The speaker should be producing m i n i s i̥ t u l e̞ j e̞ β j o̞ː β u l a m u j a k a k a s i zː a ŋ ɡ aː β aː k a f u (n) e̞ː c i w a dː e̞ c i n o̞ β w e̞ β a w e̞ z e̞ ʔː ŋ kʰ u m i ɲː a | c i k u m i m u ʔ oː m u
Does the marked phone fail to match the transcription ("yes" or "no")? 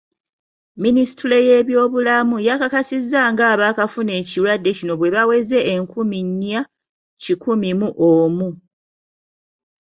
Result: no